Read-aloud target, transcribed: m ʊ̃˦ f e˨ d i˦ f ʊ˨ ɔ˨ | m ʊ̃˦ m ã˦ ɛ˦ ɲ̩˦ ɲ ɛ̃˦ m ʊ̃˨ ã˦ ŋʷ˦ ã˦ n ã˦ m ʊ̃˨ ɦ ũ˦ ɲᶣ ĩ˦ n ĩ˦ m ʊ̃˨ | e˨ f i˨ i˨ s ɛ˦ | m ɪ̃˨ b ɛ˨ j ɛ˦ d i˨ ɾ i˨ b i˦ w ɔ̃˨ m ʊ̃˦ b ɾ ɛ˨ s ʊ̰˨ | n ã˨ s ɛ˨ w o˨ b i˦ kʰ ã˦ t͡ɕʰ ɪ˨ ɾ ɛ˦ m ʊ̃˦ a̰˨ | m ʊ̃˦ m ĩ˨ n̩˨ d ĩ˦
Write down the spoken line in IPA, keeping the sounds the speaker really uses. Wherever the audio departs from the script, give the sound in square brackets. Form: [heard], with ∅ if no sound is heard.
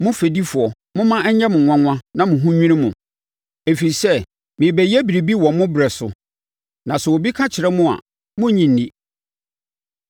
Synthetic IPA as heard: m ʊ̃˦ f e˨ d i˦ f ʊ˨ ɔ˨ | m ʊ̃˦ m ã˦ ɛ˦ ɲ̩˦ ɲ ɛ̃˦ m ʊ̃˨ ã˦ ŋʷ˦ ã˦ n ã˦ m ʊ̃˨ ɦ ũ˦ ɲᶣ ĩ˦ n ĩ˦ m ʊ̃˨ | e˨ f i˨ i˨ s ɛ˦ | m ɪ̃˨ b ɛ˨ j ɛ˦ [b] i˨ ɾ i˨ b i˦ w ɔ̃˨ m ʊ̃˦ b ɾ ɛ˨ s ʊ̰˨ | n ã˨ s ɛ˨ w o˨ b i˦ kʰ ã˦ t͡ɕʰ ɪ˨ ɾ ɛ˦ m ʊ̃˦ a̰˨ | m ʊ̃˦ [ɲ] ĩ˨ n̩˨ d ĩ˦